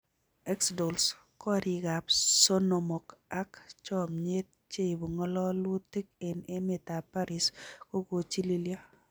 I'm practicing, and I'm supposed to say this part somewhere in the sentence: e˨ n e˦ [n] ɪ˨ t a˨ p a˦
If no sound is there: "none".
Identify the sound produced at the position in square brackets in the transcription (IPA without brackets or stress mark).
m